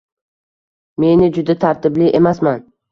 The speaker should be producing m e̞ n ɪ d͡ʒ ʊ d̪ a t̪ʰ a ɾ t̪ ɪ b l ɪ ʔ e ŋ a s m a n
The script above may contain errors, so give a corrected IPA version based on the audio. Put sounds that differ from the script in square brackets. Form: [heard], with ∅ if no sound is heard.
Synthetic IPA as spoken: m e̞ n ɪ d͡ʒ ʊ d̪ a t̪ʰ a ɾ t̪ ɪ b l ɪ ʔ e [m] a s m a n